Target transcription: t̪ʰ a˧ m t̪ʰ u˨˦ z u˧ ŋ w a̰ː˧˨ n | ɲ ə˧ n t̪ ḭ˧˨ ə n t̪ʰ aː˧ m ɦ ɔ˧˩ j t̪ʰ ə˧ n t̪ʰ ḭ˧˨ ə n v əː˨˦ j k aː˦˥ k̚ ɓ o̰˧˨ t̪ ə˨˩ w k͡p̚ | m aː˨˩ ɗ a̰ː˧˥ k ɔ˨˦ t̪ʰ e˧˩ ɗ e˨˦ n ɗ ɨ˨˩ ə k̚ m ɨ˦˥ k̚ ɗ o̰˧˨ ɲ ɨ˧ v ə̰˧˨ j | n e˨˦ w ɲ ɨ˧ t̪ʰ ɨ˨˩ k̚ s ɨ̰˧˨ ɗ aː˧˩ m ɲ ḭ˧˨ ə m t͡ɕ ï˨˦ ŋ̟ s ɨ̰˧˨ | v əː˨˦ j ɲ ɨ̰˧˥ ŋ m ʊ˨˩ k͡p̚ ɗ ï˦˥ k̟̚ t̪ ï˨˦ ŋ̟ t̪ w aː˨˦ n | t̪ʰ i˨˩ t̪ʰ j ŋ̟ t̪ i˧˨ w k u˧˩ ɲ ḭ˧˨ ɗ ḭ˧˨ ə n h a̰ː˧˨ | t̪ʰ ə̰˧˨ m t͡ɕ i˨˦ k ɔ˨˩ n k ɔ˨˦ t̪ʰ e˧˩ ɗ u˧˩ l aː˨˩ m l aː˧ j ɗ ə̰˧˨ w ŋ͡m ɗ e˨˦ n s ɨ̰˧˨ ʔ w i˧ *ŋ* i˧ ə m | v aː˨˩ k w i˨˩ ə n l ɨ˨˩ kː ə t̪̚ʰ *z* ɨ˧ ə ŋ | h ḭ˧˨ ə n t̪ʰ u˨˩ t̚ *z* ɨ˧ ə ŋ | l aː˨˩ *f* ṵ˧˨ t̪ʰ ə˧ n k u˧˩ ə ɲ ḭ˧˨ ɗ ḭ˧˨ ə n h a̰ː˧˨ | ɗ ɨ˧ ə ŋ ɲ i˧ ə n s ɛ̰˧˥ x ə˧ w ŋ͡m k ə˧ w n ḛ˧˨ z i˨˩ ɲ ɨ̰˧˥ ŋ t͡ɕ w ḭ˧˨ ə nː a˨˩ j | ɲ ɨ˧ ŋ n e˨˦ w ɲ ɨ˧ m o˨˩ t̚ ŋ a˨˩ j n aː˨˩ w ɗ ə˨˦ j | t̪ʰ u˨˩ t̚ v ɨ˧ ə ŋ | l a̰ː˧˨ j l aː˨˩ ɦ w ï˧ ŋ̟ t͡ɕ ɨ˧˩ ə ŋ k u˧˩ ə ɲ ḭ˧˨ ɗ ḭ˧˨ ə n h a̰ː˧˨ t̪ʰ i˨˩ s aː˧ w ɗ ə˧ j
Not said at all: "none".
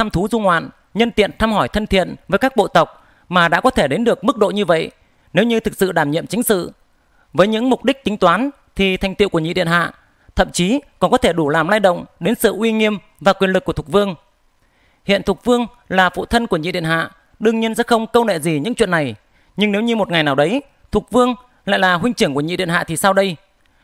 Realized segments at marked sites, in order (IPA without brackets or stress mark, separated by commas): ŋ, v, v, f